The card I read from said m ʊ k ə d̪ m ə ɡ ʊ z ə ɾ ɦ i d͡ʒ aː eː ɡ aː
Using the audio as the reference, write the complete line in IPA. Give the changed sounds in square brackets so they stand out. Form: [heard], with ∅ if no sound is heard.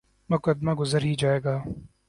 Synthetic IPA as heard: m ʊ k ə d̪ m [a] ɡ ʊ z ə ɾ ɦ i d͡ʒ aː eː ɡ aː